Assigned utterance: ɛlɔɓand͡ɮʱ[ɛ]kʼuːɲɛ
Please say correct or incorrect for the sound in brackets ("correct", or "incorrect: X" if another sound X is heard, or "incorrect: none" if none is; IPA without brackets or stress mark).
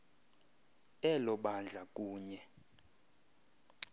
incorrect: a